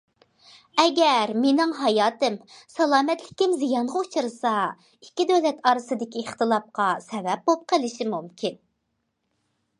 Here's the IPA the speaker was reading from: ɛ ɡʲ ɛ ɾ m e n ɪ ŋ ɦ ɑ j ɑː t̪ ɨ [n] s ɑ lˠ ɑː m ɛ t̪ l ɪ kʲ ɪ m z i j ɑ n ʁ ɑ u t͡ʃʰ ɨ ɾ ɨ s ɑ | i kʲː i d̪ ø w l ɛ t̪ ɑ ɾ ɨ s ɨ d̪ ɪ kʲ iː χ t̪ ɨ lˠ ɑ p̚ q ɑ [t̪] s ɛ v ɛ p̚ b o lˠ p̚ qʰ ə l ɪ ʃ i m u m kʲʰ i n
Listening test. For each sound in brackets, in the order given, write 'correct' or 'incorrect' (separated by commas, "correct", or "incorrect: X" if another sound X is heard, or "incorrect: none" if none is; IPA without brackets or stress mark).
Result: incorrect: m, incorrect: none